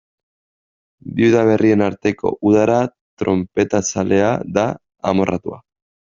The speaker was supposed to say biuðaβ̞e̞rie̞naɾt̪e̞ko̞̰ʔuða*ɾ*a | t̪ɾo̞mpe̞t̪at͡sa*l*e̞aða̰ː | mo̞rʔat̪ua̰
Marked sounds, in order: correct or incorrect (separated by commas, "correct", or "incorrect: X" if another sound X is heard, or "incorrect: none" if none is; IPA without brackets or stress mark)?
correct, correct